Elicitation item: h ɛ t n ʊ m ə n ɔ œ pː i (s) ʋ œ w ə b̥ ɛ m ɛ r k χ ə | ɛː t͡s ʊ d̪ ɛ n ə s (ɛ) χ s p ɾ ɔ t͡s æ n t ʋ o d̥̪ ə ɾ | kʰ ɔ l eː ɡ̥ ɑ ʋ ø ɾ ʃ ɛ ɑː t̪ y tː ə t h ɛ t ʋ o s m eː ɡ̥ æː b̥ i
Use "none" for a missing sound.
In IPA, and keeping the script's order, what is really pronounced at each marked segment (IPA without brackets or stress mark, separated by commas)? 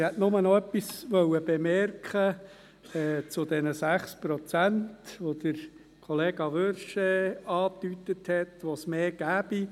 s, æ